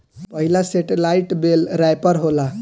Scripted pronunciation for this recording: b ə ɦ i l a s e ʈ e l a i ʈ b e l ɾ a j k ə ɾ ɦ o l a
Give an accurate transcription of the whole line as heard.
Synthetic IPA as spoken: p ə ɦ i l a s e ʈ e l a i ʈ b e l ɾ a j p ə ɾ ɦ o l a